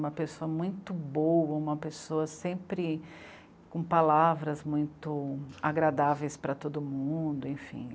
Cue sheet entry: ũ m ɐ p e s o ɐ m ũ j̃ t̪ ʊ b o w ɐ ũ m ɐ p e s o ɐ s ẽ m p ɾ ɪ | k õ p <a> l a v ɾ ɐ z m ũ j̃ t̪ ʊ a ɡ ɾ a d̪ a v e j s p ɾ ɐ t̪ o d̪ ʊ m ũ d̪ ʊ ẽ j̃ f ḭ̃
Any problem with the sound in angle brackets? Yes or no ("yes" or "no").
no